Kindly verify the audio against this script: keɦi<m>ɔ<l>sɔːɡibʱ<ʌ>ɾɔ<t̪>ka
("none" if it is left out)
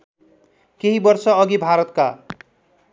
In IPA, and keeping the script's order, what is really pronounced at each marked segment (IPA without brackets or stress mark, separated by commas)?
b, ɾ, a, t̪